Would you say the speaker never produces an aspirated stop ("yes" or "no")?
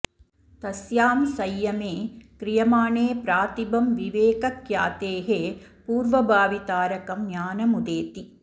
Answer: yes